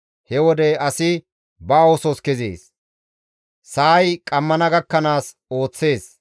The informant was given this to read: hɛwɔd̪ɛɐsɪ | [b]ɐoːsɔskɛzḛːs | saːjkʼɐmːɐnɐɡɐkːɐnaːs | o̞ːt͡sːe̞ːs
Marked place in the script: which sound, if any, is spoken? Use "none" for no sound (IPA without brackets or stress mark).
b